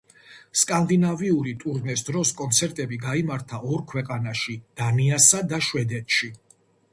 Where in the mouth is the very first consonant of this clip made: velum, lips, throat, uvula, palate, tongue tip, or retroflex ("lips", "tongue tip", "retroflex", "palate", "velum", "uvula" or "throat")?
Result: tongue tip